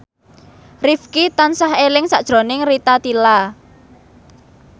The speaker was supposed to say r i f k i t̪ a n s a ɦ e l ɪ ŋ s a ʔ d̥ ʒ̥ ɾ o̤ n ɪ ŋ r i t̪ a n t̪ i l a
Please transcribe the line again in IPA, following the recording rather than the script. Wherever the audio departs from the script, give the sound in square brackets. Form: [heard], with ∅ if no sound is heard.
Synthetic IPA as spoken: r i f k i t̪ a n s a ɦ e l ɪ ŋ s a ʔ d̥ ʒ̥ ɾ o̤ n ɪ ŋ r i t̪ a [∅] t̪ i l a